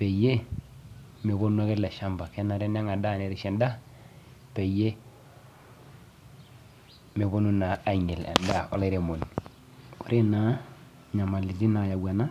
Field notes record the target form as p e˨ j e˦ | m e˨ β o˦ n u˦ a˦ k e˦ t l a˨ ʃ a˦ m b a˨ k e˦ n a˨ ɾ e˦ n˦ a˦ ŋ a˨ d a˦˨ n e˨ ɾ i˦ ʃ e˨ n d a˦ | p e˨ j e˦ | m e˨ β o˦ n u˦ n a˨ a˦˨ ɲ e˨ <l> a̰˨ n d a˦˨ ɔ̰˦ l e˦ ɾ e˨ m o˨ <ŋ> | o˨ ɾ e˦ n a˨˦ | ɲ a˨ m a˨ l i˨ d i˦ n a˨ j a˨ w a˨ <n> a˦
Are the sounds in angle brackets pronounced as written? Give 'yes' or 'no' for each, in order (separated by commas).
yes, no, yes